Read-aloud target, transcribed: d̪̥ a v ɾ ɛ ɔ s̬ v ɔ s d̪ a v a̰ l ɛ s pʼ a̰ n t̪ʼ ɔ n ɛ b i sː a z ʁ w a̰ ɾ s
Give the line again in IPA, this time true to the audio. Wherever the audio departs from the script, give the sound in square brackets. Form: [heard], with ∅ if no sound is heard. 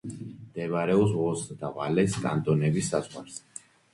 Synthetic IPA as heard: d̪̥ [ɛ] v ɾ ɛ ɔ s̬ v ɔ s d̪ a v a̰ l ɛ s [kʼ] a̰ n t̪ʼ ɔ n ɛ b i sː a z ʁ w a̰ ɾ s